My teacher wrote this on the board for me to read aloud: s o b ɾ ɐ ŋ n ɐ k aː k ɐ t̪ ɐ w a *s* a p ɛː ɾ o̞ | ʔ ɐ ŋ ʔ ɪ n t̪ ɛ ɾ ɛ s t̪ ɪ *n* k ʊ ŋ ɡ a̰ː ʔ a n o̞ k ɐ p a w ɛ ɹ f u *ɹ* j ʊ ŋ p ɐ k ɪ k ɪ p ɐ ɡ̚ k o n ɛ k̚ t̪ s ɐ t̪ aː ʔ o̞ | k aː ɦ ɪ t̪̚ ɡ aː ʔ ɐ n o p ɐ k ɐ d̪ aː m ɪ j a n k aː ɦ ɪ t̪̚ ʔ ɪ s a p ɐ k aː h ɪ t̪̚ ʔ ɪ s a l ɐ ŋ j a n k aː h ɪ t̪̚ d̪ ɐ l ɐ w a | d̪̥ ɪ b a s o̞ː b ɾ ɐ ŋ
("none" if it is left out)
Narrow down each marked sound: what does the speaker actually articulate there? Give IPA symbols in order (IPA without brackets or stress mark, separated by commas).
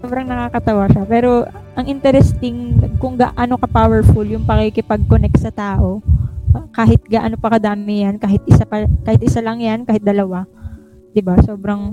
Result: ʃ, ŋ, l